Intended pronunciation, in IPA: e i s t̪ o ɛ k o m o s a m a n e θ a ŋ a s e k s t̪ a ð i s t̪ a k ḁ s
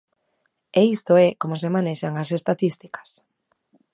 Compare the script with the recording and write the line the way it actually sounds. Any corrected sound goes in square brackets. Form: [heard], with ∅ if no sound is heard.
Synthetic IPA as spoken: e i s t̪ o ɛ k o m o s [e] m a n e [ʃ] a ŋ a s e [∅] s t̪ a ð i s t̪ [i] k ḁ s